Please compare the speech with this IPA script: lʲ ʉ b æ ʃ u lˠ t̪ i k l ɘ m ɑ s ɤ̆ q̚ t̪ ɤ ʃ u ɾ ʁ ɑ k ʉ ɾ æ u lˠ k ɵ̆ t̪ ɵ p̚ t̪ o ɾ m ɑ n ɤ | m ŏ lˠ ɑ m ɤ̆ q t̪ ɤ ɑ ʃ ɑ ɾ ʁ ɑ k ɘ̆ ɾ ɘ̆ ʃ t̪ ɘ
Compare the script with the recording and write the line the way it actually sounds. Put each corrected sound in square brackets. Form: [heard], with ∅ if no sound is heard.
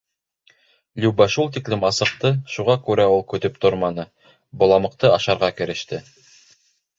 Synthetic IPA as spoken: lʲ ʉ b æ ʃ u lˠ t̪ i k l ɘ m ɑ s ɤ̆ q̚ t̪ ɤ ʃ u [∅] ʁ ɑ k ʉ ɾ æ u lˠ k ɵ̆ t̪ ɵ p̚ t̪ o ɾ m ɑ n ɤ | [b] ŏ lˠ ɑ m ɤ̆ q t̪ ɤ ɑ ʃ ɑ ɾ ʁ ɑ k ɘ̆ ɾ ɘ̆ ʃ t̪ ɘ